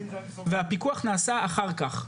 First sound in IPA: v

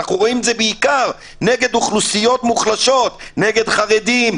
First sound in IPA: a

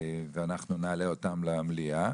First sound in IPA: v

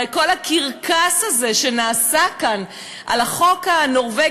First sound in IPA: k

